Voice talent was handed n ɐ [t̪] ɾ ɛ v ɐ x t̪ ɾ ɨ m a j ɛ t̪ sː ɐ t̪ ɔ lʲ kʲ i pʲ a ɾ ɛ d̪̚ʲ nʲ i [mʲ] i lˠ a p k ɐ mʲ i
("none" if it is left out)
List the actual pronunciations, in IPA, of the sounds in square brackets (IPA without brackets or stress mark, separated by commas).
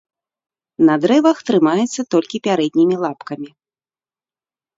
d̪, mʲ